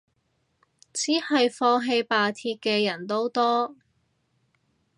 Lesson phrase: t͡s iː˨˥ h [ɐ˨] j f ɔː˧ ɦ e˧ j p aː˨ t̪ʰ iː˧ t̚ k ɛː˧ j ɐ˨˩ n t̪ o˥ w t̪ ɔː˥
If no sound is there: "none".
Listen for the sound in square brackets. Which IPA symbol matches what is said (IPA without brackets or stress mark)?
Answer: ɐ˨